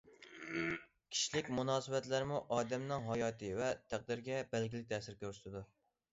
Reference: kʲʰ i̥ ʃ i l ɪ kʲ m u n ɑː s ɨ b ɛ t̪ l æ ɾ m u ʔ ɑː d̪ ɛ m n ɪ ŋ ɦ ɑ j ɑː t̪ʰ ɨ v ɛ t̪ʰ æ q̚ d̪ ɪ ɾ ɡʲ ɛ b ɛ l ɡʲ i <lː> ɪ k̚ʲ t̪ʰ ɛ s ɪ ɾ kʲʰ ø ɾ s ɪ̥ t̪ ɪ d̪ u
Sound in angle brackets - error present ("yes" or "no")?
yes